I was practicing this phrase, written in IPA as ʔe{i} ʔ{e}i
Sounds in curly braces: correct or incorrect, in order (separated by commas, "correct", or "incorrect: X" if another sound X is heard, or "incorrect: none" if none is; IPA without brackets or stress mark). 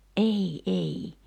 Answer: correct, correct